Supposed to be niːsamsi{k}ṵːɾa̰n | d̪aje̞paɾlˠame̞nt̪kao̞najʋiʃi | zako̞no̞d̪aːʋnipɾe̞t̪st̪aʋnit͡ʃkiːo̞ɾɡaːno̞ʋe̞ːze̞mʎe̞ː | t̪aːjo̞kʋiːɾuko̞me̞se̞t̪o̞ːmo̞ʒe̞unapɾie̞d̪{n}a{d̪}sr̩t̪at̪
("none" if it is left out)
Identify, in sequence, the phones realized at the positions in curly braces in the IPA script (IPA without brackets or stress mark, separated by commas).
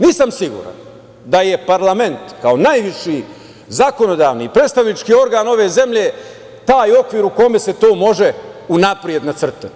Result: ɡ, n, t̪